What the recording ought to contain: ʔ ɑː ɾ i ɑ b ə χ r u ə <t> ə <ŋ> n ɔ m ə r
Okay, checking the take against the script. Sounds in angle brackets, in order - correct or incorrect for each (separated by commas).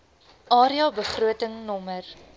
correct, correct